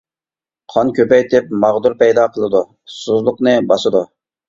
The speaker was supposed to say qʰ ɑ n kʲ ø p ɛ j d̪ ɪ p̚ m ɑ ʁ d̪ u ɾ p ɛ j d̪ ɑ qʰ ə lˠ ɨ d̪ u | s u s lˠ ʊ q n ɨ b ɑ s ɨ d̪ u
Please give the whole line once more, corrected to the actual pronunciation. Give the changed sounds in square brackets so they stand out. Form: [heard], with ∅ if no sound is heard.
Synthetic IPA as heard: qʰ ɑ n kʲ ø p ɛ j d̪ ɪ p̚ m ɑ ʁ d̪ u ɾ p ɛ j d̪ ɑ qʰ ə lˠ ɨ d̪ u | s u [z] lˠ ʊ q n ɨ b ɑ s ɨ d̪ u